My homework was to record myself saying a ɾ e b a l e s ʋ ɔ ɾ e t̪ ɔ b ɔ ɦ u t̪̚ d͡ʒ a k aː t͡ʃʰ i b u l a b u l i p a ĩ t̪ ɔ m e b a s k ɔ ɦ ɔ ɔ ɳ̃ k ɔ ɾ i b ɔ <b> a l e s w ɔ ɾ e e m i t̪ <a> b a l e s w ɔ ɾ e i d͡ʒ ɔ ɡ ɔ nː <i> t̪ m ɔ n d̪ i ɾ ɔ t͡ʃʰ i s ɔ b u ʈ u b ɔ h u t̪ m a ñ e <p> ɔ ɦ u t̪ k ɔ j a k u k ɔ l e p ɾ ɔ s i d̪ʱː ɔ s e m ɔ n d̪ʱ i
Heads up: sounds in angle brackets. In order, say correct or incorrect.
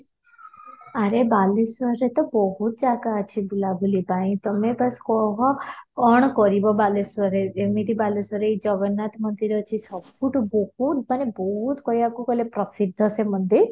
correct, incorrect: i, incorrect: a, incorrect: b

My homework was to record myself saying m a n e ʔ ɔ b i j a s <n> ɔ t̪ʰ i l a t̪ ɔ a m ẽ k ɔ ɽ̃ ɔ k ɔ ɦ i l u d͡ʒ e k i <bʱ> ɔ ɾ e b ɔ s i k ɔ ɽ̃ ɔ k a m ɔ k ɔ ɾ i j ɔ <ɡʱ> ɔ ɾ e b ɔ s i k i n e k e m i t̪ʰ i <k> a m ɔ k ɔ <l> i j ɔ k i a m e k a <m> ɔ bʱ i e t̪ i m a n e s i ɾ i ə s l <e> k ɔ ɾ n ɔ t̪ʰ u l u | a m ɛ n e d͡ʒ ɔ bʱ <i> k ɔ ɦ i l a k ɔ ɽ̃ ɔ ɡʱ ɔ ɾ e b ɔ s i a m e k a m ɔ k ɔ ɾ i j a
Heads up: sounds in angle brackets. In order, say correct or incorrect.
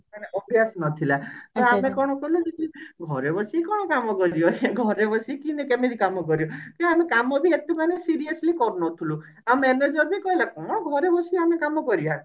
correct, incorrect: ɡʱ, correct, correct, incorrect: ɾ, correct, incorrect: i, correct

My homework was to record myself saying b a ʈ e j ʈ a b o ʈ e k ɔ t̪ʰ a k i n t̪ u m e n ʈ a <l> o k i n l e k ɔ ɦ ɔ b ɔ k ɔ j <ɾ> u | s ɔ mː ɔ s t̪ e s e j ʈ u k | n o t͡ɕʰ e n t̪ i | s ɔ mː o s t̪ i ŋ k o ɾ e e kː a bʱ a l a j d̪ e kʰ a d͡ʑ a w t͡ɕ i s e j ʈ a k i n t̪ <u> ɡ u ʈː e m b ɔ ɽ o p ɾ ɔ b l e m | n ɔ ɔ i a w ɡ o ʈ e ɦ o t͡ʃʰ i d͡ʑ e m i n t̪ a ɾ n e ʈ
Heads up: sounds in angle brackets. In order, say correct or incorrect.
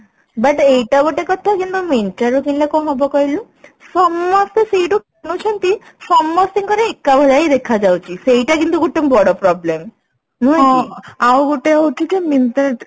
incorrect: ɾ, incorrect: l, correct

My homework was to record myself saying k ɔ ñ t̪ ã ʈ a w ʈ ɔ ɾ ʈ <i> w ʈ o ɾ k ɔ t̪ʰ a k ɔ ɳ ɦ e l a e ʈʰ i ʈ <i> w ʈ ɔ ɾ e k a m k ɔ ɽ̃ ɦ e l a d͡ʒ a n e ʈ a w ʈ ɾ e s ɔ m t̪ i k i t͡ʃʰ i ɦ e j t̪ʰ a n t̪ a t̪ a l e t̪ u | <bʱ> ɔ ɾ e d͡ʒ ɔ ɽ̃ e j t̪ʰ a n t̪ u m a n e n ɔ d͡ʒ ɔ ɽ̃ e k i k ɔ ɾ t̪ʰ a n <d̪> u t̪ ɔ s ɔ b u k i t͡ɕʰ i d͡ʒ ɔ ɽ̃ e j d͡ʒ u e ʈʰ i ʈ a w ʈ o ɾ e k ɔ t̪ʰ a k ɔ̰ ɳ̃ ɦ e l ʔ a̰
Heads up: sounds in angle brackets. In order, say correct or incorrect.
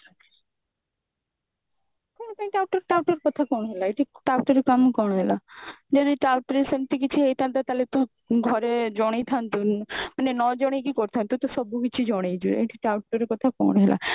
incorrect: a, incorrect: a, incorrect: ɡʱ, incorrect: t̪

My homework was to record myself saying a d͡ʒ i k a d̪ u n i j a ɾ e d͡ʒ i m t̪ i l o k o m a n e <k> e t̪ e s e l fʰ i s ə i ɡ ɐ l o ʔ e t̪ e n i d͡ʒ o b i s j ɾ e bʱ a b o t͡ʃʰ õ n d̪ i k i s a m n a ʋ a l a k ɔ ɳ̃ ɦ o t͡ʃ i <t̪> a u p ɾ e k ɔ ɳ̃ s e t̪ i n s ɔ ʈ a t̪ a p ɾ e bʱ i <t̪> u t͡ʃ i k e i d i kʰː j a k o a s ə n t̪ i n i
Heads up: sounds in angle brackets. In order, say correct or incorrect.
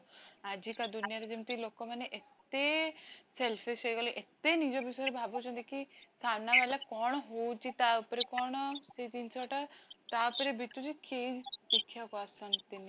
incorrect: ʔ, correct, correct

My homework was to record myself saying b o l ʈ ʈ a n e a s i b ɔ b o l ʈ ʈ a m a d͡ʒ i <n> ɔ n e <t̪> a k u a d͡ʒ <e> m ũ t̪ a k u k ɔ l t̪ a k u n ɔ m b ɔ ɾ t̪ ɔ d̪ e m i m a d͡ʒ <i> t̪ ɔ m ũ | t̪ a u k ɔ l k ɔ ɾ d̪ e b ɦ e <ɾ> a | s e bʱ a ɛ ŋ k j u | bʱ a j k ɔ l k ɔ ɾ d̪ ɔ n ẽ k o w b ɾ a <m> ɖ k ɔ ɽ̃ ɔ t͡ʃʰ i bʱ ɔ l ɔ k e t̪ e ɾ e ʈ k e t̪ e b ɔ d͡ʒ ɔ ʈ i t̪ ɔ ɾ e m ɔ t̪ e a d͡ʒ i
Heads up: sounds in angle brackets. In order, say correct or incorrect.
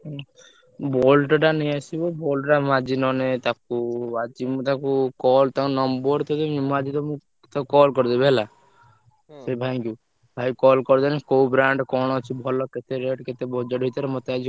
correct, correct, incorrect: i, correct, incorrect: l, incorrect: ɳ

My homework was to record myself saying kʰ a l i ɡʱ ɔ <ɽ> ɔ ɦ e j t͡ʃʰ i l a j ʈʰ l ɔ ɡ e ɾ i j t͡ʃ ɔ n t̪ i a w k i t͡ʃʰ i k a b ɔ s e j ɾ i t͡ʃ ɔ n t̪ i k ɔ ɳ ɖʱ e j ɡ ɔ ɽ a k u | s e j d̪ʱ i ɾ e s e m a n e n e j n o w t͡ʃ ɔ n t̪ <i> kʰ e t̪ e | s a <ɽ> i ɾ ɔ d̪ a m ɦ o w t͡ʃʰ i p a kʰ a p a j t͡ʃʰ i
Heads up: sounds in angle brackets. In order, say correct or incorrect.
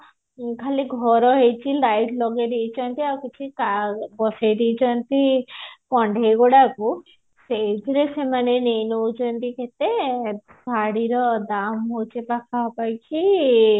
incorrect: ɾ, correct, correct

